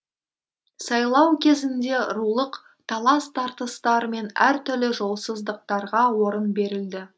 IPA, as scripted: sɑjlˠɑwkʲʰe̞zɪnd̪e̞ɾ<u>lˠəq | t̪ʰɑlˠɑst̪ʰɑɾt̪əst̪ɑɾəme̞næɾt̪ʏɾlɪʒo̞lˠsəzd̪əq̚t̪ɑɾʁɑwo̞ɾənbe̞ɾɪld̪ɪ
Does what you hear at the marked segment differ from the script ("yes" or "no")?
no